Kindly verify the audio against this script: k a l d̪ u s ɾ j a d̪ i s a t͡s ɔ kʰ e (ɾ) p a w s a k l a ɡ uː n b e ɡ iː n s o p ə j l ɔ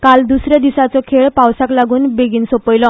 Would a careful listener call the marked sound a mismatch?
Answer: yes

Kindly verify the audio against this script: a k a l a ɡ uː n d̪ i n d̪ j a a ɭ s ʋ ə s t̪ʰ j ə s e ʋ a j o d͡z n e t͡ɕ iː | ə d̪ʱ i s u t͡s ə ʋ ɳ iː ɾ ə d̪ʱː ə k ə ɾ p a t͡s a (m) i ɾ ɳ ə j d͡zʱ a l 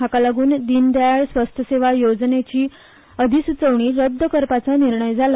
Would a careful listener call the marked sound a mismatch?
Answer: yes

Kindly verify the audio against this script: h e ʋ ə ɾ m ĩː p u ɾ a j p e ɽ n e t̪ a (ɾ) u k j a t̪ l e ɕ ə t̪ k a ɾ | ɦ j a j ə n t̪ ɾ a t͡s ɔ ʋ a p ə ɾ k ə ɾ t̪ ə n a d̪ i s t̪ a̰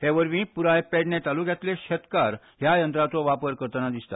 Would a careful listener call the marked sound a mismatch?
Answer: yes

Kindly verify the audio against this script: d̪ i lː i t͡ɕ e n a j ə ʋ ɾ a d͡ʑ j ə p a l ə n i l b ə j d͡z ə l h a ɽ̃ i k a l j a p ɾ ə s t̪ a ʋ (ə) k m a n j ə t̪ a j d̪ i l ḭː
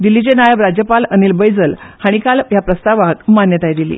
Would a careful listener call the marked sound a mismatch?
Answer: yes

